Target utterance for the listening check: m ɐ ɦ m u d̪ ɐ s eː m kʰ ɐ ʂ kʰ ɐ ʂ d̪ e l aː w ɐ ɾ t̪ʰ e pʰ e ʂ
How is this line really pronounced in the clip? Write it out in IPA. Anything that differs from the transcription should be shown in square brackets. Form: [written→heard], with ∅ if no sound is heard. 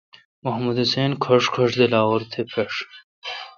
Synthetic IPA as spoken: m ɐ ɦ m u d̪ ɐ s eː [m→n] kʰ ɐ ʂ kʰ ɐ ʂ d̪ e l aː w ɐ ɾ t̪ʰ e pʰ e ʂ